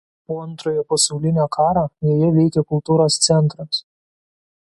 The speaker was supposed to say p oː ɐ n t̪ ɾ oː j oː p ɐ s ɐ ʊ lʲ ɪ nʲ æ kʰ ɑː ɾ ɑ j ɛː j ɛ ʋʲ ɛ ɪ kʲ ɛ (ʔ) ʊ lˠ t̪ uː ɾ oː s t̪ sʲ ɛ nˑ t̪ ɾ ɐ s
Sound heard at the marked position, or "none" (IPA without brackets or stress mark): k